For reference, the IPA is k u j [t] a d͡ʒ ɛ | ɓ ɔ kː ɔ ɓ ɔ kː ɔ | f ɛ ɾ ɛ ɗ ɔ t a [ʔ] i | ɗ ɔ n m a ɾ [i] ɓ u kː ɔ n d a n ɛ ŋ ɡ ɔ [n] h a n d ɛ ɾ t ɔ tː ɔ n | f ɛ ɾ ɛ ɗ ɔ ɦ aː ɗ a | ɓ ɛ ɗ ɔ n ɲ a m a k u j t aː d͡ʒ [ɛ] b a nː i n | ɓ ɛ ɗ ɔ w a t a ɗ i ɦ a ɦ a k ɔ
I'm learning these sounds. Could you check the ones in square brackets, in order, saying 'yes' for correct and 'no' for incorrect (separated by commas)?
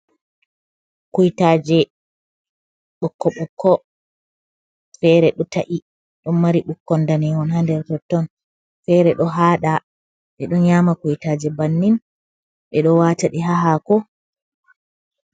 yes, yes, yes, yes, yes